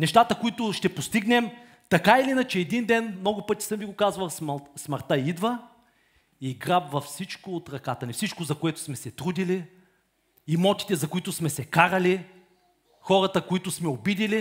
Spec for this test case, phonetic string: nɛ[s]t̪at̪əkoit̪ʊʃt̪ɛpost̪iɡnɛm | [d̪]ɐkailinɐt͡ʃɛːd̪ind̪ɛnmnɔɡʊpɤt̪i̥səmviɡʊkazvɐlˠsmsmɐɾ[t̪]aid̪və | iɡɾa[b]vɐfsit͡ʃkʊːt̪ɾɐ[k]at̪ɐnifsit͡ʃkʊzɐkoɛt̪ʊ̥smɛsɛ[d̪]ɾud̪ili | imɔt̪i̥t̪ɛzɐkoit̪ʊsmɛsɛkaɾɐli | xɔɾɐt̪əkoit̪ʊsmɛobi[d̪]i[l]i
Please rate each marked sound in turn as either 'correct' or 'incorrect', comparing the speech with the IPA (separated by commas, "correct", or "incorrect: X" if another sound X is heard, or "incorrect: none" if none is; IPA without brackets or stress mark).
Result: incorrect: ʃ, incorrect: t̪, correct, correct, correct, incorrect: t̪, correct, correct